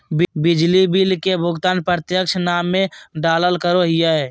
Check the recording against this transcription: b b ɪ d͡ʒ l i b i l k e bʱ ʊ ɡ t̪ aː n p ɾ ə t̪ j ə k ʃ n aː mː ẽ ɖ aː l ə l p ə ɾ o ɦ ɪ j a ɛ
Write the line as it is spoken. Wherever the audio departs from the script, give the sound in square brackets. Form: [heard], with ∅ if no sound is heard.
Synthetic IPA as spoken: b b ɪ d͡ʒ l i b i l k e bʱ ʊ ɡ t̪ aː n p ɾ ə t̪ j ə k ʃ n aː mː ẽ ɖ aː l ə l [k] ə ɾ o ɦ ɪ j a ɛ